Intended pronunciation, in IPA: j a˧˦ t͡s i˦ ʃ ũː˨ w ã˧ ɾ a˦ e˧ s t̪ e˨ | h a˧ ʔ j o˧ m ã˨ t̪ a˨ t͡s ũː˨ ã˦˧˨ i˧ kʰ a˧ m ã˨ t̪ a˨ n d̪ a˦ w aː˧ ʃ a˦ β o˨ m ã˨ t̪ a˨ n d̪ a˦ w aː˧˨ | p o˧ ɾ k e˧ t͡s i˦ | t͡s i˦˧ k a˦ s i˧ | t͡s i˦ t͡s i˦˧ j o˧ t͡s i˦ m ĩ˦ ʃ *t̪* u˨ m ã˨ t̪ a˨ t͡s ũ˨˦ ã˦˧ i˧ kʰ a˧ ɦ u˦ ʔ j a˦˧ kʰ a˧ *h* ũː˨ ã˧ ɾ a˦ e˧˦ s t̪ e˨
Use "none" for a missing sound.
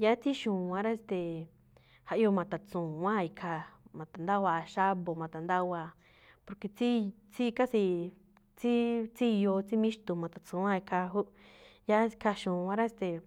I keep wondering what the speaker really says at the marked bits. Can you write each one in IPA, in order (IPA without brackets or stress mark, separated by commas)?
t̪, ʃ